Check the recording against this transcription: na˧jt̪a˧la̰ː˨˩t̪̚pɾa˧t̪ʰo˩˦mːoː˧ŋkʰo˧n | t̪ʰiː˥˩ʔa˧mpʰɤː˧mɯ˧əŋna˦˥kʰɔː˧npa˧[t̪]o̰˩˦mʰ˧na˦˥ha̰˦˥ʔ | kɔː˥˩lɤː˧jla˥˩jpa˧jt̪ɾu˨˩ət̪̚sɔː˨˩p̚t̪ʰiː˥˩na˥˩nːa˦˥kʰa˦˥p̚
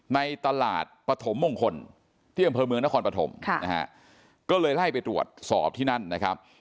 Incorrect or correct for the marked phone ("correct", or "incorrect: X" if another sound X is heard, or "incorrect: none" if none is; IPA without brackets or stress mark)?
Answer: incorrect: t̪ʰ